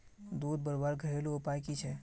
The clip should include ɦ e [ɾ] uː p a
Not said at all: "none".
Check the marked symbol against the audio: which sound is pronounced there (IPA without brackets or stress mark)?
l